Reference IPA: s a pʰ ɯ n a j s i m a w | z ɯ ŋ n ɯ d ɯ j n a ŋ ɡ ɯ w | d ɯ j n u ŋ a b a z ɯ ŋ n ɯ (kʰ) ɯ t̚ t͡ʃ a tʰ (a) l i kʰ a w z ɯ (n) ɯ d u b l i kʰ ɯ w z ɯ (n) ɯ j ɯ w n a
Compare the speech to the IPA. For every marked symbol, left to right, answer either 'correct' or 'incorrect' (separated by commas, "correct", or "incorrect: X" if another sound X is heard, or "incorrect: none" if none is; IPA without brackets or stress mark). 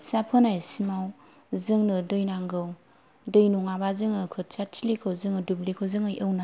correct, incorrect: i, incorrect: ŋ, incorrect: ŋ